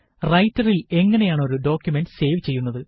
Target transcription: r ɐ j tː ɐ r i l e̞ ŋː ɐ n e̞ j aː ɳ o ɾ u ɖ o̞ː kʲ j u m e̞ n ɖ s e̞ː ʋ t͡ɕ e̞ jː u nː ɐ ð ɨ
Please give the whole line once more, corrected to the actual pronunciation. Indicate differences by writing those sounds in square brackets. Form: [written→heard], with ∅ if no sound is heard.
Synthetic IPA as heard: r ɐ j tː ɐ r i l e̞ ŋː ɐ n e̞ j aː ɳ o ɾ u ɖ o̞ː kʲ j u m e̞ n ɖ s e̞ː ʋ t͡ɕ e̞ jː u nː ɐ ð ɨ